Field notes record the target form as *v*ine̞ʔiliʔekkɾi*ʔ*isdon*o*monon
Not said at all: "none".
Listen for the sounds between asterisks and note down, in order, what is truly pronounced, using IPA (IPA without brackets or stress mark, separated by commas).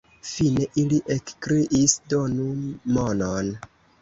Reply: f, ʔ, u